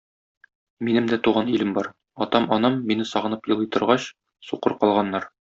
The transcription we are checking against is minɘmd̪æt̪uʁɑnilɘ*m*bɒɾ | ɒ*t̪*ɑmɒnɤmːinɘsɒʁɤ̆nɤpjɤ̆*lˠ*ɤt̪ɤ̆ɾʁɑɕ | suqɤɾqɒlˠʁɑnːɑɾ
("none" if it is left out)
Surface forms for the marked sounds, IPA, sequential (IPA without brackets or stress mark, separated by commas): m, t̪, lˠ